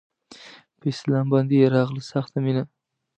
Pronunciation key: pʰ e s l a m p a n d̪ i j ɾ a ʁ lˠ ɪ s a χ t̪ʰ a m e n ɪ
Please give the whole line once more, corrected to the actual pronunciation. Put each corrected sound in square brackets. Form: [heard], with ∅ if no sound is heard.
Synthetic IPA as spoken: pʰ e s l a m [b] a n d̪ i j ɾ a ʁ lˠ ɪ s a χ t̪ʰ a m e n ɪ